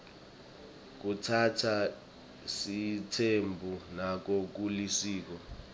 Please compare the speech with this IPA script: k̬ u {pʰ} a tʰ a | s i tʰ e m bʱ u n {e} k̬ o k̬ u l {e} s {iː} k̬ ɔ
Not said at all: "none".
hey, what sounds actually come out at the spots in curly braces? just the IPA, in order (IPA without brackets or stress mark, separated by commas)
tʰ, a, i, iː